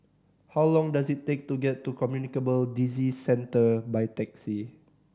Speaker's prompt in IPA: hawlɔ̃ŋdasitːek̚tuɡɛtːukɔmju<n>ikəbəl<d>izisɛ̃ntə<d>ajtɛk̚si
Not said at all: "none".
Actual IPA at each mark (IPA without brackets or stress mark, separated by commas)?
n, d, b